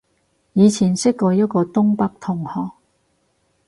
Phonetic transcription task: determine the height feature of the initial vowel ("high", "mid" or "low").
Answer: high